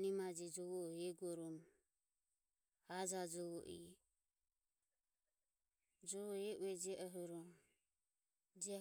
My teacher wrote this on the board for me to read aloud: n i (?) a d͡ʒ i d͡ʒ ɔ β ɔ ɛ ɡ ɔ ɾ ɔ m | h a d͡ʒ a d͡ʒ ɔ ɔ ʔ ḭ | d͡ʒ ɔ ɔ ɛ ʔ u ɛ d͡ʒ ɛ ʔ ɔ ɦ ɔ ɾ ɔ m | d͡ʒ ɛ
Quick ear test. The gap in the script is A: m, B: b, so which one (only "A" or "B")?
A